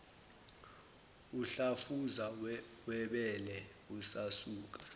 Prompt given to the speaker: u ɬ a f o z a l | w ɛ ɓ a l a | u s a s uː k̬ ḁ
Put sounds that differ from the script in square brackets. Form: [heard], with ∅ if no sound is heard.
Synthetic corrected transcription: u ɬ a f [u] z a [∅] | w ɛ ɓ [ɛ] l [ɛ] | u s a s uː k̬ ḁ